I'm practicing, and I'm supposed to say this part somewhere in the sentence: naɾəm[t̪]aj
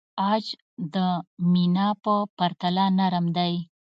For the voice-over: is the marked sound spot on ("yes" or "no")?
no